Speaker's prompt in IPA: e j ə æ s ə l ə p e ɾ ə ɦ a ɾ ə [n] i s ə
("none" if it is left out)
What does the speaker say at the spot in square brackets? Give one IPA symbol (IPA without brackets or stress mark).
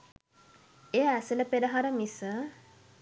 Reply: m